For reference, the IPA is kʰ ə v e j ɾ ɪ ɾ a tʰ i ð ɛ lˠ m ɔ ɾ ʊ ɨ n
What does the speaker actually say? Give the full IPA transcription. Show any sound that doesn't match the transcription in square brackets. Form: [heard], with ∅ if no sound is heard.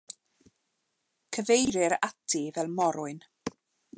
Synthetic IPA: kʰ ə v e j ɾ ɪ ɾ a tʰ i [v] ɛ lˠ m ɔ ɾ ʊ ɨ n